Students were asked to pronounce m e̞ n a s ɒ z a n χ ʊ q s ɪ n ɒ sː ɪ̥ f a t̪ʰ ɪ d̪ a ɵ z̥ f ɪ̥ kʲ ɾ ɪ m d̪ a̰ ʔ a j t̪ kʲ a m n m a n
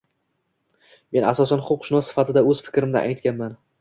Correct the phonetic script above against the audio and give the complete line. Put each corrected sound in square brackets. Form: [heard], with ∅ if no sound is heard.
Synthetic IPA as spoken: m e̞ n a s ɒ [s] a n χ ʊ q [ʃ] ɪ n ɒ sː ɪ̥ f a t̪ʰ ɪ d̪ a ɵ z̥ f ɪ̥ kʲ ɾ ɪ m d̪ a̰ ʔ a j t̪ kʲ a [∅] n m a n